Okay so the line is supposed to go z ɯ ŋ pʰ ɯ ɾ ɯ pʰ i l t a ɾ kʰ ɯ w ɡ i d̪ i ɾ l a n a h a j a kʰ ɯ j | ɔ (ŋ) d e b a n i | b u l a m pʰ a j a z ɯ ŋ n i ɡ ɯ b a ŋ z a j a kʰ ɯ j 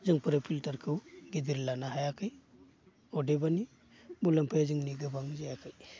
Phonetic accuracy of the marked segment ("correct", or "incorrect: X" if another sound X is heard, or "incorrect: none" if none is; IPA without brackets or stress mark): incorrect: none